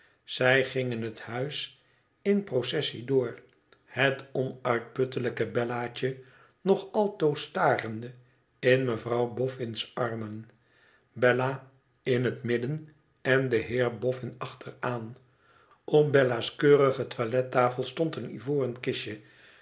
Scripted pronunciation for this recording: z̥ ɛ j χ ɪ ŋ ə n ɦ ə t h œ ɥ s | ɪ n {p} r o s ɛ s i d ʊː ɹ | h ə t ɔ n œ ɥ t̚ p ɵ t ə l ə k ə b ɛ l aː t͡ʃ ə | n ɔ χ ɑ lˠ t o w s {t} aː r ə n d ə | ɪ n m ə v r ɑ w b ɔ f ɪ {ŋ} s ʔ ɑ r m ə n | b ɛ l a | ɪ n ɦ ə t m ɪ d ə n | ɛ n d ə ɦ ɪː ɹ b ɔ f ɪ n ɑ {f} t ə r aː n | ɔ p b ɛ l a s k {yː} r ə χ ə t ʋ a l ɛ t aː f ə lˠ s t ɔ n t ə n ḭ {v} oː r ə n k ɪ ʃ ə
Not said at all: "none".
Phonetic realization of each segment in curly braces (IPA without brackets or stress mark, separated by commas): p, t, n, χ, øː, v